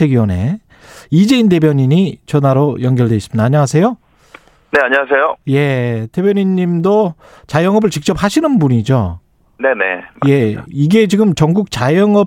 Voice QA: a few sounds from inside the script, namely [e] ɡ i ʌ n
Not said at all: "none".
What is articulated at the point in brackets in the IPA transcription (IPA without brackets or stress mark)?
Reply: e